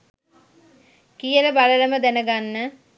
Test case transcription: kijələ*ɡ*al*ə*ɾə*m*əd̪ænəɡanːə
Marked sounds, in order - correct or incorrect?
incorrect, correct, correct

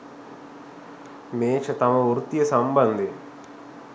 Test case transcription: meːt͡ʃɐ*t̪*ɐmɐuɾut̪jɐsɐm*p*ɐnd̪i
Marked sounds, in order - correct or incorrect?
correct, incorrect

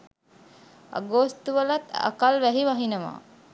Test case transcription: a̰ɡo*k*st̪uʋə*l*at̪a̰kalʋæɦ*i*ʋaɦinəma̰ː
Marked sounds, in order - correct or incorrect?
incorrect, correct, correct

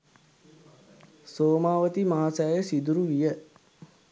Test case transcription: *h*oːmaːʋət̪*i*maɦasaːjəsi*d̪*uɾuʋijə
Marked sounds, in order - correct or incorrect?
incorrect, correct, correct

